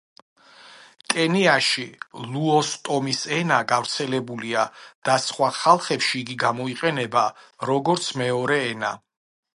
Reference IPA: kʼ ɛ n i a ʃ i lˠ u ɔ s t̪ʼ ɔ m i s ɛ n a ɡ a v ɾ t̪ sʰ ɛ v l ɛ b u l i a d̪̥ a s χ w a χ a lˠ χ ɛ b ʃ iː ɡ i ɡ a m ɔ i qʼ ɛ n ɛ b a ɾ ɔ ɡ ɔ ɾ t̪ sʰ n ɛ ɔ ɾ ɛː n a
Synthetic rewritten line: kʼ ɛ n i a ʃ i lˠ u ɔ s t̪ʼ ɔ m i s ɛ n a ɡ a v ɾ t̪ sʰ ɛ l ɛ b u l i a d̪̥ a s χ w a χ a lˠ χ ɛ p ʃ iː ɡ i ɡ a m ɔ i qʼ ɛ n ɛ b a ɾ ɔ ɡ ɔ ɾ t̪ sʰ m ɛ ɔ ɾ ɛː n a